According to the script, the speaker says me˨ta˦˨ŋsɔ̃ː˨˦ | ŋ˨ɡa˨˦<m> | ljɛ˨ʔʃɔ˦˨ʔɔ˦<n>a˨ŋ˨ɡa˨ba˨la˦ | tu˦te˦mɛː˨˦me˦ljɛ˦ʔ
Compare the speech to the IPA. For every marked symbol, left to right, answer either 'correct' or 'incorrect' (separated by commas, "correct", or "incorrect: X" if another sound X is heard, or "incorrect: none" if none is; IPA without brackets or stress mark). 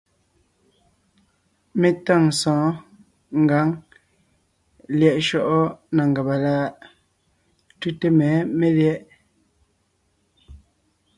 incorrect: ŋ, correct